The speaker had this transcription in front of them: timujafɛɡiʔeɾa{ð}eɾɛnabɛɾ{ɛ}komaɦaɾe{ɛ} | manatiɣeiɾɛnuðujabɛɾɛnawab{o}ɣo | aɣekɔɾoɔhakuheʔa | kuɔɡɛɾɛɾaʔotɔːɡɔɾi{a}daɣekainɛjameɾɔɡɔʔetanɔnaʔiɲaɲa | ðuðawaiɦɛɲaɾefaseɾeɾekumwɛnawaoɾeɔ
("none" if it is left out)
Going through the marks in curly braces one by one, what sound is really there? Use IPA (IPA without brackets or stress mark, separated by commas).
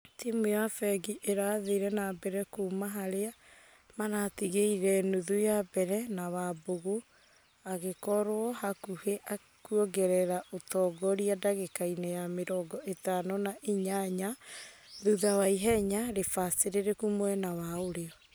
ð, ɛ, a, o, a